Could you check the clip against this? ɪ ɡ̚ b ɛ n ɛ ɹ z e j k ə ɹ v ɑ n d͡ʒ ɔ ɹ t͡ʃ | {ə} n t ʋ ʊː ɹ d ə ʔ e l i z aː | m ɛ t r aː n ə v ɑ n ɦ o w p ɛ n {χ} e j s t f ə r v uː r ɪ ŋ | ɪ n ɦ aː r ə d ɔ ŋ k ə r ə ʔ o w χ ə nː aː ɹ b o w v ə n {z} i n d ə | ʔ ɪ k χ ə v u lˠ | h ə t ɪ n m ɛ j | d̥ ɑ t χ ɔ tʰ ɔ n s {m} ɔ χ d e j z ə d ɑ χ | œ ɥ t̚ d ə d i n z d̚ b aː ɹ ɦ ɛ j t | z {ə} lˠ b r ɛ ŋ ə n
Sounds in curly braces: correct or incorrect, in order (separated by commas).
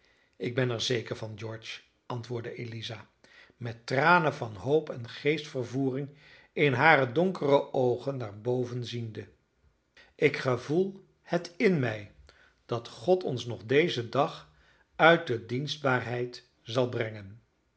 incorrect, correct, correct, incorrect, incorrect